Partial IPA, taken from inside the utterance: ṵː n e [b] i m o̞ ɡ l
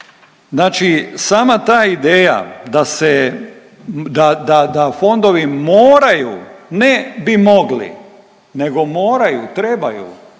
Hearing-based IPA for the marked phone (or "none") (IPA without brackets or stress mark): b